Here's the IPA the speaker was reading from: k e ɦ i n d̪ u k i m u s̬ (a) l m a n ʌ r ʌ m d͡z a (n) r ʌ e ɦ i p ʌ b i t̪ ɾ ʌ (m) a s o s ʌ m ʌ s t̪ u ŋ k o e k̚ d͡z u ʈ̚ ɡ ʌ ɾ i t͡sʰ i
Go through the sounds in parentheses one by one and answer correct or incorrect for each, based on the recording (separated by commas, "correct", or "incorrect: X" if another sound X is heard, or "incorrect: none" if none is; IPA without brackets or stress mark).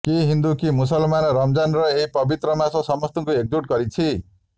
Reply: incorrect: ʌ, correct, correct